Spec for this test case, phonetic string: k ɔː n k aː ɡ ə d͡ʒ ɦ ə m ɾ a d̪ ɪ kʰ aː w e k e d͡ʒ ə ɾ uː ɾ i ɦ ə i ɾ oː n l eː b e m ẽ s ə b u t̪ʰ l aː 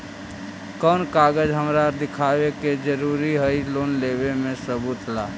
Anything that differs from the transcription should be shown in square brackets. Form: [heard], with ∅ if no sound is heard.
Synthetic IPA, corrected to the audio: k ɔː n k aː ɡ ə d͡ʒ ɦ ə m ɾ a d̪ ɪ kʰ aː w e k e d͡ʒ ə ɾ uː ɾ i ɦ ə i [l] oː n l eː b e m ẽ s ə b u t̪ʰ l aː